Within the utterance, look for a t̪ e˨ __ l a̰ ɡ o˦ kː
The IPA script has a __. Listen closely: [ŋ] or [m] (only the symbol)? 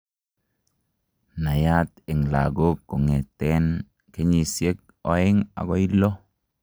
ŋ